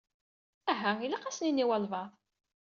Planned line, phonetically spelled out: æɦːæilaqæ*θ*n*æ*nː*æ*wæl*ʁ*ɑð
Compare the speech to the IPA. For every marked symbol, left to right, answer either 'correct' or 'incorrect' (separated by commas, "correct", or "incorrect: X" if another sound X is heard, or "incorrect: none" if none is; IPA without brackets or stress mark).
incorrect: s, incorrect: i, incorrect: i, incorrect: v